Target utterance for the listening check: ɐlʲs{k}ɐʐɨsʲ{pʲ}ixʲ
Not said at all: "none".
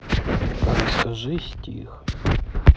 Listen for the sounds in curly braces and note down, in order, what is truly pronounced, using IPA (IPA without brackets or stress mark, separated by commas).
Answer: k, tʲ